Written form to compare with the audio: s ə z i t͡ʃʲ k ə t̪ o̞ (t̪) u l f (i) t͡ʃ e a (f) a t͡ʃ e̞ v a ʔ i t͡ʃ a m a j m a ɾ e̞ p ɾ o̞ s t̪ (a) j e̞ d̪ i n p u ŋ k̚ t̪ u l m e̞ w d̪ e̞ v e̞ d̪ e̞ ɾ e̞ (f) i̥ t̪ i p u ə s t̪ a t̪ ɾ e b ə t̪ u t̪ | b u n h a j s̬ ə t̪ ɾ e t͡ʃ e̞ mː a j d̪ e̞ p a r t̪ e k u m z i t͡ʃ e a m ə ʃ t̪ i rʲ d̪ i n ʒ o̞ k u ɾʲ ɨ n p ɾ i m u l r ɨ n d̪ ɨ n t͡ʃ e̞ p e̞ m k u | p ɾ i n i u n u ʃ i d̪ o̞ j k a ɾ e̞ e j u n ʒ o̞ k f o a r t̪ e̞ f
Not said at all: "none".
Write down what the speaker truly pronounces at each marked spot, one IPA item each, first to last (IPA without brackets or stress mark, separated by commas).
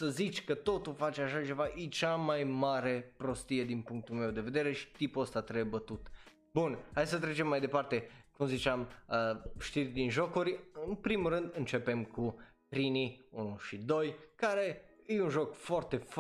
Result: t̪, a, ʃ, i, ʃ